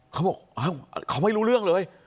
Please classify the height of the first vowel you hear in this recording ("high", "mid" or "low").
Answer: low